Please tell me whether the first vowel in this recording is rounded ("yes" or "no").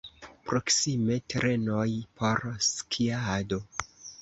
yes